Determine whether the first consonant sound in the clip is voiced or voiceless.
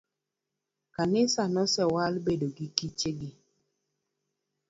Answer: voiceless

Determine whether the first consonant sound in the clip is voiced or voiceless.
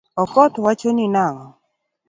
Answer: voiceless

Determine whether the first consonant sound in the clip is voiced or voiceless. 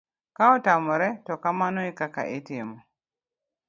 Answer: voiceless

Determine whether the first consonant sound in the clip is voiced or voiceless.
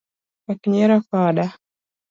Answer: voiceless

